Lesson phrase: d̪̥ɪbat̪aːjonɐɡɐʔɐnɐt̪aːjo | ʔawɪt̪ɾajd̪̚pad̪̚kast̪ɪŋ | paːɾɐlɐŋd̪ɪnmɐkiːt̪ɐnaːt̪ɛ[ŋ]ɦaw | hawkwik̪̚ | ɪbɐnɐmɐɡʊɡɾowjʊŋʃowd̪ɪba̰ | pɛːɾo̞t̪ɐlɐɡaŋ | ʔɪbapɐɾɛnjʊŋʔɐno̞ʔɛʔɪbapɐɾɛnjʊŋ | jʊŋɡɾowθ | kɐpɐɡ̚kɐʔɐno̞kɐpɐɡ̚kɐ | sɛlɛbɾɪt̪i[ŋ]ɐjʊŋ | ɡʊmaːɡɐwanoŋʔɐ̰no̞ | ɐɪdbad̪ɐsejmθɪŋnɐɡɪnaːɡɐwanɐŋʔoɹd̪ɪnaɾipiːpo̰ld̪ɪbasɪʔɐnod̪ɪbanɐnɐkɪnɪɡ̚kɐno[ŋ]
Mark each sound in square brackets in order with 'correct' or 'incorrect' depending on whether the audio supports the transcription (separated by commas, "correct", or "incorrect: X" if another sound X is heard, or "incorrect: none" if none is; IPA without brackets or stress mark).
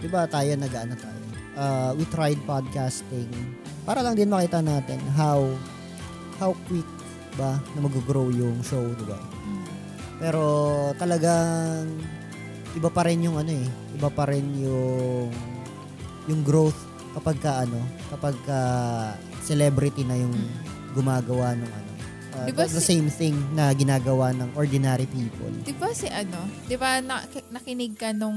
incorrect: n, incorrect: n, correct